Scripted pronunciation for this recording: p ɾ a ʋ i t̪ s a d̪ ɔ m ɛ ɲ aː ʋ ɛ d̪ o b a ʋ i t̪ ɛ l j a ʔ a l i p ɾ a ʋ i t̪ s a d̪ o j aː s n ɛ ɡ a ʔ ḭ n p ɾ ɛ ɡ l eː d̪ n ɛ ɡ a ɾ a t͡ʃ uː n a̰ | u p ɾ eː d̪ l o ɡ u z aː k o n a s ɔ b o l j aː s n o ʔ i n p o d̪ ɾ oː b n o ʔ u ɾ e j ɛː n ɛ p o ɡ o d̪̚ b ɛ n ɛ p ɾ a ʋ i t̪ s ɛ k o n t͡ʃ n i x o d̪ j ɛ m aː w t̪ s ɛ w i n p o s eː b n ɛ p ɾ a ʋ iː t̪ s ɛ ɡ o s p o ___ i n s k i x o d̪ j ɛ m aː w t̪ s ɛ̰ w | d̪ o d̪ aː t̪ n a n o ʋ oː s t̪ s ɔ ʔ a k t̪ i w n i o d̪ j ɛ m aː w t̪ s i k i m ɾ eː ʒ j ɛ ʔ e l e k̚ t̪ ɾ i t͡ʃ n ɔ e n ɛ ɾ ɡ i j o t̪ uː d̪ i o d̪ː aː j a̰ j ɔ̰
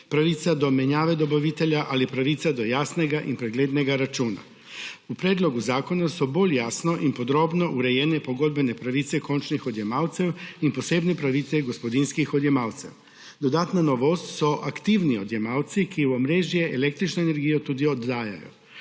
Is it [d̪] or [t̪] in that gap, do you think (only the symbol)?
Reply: d̪